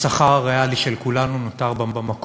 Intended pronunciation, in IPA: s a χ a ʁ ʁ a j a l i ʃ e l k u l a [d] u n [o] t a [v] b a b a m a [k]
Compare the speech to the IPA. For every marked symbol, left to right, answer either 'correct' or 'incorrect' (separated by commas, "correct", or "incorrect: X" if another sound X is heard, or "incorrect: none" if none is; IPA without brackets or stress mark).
incorrect: n, correct, incorrect: ʁ, correct